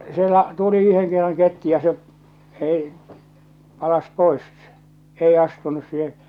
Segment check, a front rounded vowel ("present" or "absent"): present